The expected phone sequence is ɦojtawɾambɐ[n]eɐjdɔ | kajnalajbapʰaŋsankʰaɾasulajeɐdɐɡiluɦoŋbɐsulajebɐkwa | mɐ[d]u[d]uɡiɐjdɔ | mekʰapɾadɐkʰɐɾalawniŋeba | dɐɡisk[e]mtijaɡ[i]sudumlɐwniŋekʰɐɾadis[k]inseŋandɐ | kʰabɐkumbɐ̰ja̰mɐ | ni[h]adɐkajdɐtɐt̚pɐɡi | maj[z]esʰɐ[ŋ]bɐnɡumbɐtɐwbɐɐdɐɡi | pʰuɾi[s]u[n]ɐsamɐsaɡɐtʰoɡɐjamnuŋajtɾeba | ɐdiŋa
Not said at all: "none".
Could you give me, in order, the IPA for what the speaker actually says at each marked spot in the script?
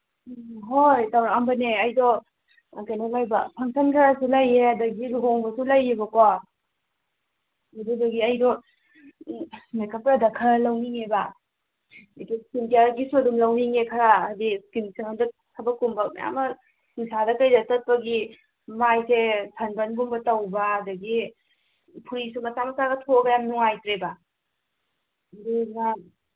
n, d, d, i, i, k, s, s, n, s, m

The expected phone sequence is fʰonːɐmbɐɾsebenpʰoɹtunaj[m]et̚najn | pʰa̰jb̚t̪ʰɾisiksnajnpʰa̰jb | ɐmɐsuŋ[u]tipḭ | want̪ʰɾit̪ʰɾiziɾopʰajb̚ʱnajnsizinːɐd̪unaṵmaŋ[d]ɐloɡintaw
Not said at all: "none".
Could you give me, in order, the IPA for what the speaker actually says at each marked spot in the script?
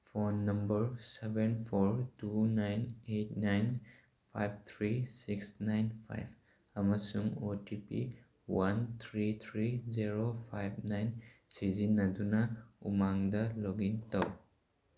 n, o, d

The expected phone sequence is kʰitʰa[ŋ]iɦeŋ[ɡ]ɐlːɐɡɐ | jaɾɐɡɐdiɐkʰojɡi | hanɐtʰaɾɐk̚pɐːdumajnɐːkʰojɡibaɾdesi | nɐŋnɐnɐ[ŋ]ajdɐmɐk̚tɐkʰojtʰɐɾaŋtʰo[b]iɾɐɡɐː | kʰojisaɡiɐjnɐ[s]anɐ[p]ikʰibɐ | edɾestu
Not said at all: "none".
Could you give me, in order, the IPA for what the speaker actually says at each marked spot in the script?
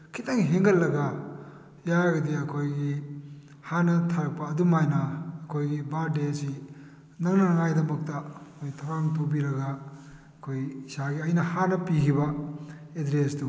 ŋ, ɡ, ŋ, b, h, p

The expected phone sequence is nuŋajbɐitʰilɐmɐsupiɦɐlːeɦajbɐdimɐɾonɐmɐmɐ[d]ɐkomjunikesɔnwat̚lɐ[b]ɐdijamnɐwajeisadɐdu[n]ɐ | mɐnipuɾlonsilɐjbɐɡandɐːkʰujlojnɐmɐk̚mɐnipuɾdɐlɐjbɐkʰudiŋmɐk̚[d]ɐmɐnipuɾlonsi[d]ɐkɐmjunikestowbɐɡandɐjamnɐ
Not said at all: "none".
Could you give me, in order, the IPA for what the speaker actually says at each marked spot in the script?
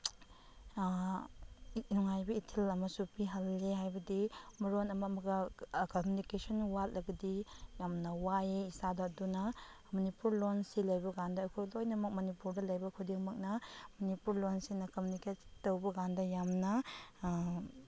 ɡ, ɡ, n, n, n

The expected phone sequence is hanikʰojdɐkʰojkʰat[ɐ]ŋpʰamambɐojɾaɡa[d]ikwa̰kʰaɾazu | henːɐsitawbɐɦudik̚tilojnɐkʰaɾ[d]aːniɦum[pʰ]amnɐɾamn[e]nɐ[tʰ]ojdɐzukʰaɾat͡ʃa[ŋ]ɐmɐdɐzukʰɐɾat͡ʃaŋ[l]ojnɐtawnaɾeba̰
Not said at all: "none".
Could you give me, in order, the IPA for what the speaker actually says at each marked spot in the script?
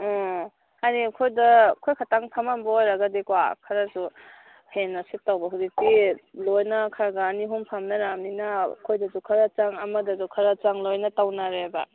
a, d, ɡ, pʰ, i, kʰ, ŋ, l

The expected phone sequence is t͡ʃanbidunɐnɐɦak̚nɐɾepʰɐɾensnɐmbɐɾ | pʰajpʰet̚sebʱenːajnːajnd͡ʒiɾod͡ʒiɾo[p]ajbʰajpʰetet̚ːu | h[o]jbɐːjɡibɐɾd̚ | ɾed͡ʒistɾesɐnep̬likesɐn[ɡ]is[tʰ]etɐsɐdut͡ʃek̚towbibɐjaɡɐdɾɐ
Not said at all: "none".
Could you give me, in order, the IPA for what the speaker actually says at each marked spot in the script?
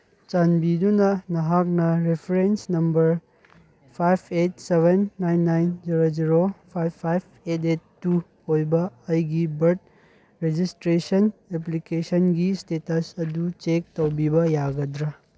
pʰ, o, ɡ, t

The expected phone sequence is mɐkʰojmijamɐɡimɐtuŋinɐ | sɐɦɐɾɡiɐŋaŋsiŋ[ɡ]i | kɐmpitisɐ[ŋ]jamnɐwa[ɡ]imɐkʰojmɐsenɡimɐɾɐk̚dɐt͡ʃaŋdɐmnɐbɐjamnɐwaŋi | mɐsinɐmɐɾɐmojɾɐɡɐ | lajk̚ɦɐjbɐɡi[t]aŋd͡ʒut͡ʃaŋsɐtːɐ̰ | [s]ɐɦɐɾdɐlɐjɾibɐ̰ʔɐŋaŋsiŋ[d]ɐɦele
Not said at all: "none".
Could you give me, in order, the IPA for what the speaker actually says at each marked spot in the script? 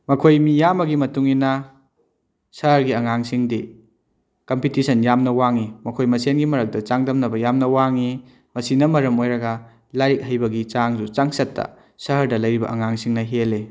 d, n, ŋ, t͡ʃ, s, n

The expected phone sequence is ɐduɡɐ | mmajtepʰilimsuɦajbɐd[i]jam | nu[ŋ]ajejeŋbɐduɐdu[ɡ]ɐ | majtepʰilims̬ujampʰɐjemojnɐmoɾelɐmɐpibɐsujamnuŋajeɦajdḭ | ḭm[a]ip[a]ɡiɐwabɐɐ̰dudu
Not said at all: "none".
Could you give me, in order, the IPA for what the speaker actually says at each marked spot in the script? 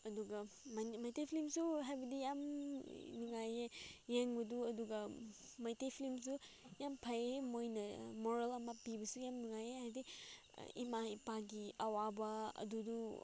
i, ŋ, ɡ, a, a

